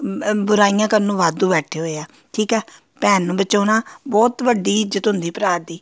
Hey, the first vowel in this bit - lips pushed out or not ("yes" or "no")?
yes